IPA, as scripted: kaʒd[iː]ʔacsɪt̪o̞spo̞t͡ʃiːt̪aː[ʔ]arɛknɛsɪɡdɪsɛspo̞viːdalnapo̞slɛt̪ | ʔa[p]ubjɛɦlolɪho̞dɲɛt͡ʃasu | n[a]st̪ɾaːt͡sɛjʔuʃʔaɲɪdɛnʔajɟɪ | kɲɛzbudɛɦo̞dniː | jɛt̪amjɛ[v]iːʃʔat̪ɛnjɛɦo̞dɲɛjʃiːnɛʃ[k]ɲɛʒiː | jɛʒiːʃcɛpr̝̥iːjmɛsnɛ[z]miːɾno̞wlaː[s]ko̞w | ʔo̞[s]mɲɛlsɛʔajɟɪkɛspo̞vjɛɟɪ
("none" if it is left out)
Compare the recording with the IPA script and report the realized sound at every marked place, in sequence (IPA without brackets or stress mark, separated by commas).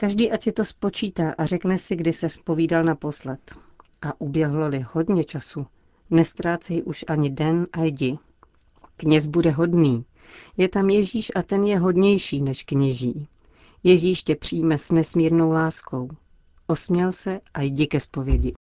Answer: iː, ʔ, ʔ, ɛ, ʒ, k, s, s, s